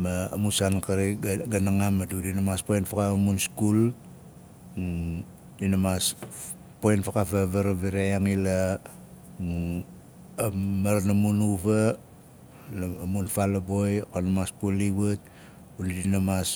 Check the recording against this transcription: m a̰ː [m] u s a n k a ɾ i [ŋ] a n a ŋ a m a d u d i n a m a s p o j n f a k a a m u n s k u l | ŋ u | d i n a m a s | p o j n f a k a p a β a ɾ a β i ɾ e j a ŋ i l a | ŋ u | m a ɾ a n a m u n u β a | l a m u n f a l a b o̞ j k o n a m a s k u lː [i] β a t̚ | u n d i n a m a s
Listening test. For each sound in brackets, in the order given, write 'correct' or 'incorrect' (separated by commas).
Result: correct, incorrect, correct